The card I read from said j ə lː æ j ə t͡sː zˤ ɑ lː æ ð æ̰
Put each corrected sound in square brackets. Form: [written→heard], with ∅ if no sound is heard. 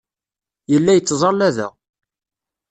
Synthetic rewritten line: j ə lː æ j ə t͡sː zˤ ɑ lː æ ð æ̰